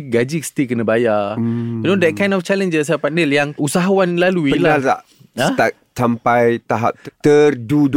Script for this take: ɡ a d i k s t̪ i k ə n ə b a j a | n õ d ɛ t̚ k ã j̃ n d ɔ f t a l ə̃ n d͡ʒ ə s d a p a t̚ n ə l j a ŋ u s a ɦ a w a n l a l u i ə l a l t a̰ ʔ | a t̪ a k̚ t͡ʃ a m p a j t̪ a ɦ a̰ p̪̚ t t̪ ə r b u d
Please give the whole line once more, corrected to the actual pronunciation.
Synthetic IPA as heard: ɡ a d͡ʒ i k s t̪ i k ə n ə b a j a | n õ d ɛ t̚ k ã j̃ n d ɔ f t͡ʃ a l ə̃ n d͡ʒ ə s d a p a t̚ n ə l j a ŋ u s a ɦ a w a n l a l u i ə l a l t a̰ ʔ | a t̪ a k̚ t͡ʃ a m p a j t̪ a ɦ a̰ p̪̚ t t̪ ə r d u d